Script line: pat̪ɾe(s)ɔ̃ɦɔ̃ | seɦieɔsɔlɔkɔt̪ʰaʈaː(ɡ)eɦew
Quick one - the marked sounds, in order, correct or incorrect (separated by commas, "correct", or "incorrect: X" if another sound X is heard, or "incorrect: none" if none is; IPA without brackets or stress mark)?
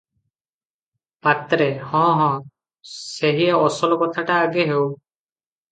incorrect: h, correct